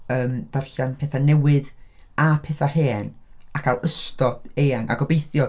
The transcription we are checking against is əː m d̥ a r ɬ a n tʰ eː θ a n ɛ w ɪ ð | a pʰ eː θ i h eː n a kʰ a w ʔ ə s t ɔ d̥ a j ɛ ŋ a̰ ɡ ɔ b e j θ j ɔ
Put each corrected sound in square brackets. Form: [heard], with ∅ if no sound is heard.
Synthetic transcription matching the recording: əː m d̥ a r ɬ a n [pʰ] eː θ a n ɛ w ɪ ð | a pʰ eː θ [a] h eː n a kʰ a w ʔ ə s t ɔ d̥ [e] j [a] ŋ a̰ ɡ ɔ b e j θ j ɔ